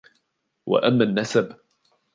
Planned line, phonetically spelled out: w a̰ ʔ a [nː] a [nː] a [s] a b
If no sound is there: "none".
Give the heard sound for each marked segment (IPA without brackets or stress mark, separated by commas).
mː, nː, s